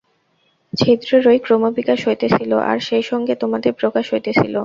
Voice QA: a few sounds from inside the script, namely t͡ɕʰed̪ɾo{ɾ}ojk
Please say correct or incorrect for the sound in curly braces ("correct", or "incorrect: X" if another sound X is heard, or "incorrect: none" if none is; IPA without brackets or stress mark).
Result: correct